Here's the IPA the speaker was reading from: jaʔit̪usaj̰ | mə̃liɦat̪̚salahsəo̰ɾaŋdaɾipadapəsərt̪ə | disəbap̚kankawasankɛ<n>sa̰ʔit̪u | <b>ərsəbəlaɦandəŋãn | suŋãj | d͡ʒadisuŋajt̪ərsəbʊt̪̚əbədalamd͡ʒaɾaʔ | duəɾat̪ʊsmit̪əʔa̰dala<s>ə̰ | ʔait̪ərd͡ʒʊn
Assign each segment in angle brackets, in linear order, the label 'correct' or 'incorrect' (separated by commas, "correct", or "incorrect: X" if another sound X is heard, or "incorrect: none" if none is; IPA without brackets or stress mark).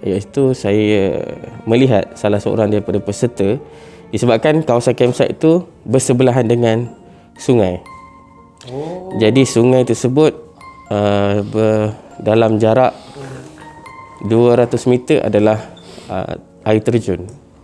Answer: incorrect: m, correct, incorrect: h